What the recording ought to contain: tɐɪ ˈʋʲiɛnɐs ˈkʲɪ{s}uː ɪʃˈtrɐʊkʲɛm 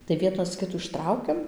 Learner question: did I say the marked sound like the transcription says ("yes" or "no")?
no